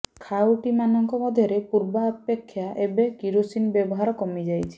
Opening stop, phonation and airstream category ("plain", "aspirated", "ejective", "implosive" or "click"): aspirated